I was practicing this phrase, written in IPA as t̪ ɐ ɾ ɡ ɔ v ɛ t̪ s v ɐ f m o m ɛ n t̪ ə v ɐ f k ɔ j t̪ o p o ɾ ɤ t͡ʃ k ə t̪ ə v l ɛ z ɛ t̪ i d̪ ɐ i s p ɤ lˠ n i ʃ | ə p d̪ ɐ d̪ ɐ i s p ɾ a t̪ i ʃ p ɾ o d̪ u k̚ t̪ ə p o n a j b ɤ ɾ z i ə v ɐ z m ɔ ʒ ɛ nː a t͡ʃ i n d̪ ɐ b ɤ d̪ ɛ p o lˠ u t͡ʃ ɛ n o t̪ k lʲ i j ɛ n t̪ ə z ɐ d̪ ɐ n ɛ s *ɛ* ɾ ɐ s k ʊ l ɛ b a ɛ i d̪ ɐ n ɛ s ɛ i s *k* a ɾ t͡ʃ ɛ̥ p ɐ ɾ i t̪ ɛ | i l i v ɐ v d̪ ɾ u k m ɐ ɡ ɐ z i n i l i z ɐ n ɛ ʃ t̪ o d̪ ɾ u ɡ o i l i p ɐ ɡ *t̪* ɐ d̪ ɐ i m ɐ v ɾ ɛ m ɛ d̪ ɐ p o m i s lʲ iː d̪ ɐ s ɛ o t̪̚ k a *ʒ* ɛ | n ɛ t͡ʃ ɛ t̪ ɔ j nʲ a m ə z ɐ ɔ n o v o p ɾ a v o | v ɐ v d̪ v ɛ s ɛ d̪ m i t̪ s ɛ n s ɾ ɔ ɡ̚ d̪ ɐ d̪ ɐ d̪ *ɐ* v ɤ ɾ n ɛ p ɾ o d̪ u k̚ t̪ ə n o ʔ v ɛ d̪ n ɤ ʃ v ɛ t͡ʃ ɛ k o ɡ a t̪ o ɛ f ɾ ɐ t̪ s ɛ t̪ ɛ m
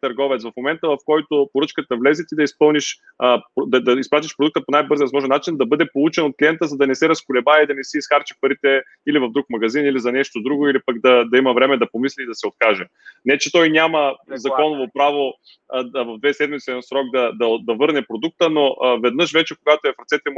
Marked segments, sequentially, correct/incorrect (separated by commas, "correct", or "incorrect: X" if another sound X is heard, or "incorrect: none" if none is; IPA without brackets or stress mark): correct, incorrect: x, incorrect: d̪, correct, correct